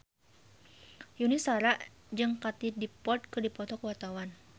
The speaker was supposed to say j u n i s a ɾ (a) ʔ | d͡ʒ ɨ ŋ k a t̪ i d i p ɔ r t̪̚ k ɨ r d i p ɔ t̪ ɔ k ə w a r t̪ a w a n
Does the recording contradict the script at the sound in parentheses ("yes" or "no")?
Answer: no